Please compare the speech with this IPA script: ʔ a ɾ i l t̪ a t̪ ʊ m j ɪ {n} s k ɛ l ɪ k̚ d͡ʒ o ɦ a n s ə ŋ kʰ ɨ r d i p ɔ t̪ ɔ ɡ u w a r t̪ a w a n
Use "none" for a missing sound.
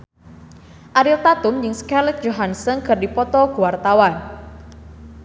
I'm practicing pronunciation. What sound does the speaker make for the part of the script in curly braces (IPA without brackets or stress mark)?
ŋ